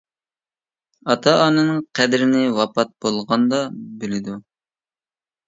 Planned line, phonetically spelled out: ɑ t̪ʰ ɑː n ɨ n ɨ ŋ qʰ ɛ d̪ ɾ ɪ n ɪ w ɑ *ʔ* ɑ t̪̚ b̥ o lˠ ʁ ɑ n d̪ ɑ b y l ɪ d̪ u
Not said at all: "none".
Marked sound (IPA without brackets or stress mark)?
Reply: p